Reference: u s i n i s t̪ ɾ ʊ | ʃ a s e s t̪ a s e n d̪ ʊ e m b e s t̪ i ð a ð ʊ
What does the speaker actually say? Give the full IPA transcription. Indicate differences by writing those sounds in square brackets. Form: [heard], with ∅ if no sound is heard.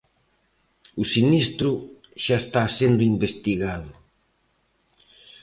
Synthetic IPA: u s i n i s t̪ ɾ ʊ | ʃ a [∅] e s t̪ a s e n d̪ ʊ [i] m b e s t̪ i [ɣ] a ð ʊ